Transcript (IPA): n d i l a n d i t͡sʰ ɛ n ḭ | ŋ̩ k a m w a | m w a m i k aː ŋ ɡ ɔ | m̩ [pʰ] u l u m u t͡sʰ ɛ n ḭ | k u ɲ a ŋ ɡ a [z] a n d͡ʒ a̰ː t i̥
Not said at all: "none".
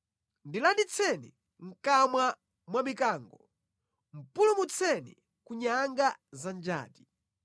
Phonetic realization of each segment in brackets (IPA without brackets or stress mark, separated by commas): p, z